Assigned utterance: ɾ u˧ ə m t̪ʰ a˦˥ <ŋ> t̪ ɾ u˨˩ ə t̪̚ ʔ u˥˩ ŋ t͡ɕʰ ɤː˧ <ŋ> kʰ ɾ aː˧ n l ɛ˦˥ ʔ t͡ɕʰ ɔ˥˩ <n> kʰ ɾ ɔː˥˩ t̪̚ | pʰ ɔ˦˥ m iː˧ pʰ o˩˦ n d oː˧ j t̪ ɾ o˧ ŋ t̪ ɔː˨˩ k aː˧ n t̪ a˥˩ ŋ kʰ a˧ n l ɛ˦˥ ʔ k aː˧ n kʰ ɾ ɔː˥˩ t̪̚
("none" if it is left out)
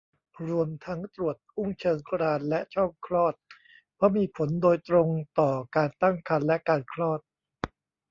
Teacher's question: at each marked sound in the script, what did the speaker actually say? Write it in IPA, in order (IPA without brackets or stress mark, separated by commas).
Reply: ŋ, ŋ, ŋ